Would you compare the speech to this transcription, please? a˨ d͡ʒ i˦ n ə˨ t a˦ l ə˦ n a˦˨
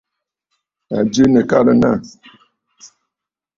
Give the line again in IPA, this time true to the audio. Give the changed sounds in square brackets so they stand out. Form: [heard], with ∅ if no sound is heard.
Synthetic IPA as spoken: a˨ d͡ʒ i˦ n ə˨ [k] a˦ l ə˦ n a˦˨